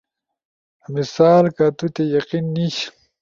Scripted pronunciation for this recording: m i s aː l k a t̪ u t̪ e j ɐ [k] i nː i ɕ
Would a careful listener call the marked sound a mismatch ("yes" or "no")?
yes